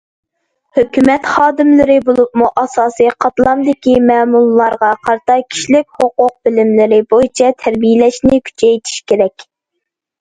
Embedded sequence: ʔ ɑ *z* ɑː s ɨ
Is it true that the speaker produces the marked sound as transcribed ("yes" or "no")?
no